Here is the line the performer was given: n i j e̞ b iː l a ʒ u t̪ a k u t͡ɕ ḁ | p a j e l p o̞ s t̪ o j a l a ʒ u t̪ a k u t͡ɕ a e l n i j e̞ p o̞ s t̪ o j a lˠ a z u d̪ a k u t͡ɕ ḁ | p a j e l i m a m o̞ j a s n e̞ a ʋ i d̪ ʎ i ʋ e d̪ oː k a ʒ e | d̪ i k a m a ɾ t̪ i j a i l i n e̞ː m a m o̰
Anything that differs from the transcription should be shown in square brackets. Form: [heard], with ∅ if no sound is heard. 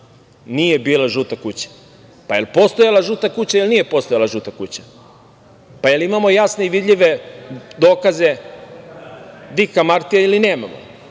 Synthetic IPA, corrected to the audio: n i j e̞ b iː l a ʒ u t̪ a k u t͡ɕ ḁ | p a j e l p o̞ s t̪ o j a l a ʒ u t̪ a k u t͡ɕ a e l n i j e̞ p o̞ s t̪ o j a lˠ a [ʒ] u [t̪] a k u t͡ɕ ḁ | p a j e l i m a m o̞ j a s n e̞ [i] ʋ i d̪ ʎ i ʋ e d̪ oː k a [z] e | d̪ i k a m a ɾ t̪ i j a i l i n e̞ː m a m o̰